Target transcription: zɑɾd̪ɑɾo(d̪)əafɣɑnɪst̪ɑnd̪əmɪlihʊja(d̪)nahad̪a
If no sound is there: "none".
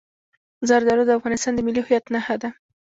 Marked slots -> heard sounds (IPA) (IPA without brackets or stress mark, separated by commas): d̪, t̪